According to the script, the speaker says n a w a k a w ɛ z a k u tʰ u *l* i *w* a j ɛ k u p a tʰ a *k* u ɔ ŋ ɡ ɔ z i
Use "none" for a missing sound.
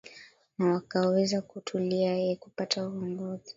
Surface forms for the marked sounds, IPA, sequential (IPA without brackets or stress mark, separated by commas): l, none, none